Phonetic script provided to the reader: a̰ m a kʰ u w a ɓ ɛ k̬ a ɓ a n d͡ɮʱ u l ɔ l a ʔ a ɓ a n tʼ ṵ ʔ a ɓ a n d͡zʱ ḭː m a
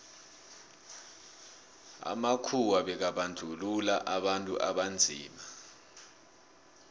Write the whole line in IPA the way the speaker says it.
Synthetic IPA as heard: a̰ m a kʰ u w a ɓ ɛ k̬ a ɓ a n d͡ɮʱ u l u l a ʔ a ɓ a n tʼ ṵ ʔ a ɓ a n d͡zʱ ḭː m a